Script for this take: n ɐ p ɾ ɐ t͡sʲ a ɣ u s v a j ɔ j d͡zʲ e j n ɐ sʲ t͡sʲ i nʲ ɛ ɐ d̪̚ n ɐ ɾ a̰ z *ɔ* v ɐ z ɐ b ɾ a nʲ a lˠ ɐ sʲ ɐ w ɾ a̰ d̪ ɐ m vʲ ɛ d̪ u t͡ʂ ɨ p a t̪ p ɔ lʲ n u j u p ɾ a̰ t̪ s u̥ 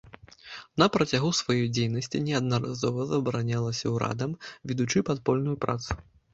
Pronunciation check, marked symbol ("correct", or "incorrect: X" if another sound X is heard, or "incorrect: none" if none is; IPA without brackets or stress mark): correct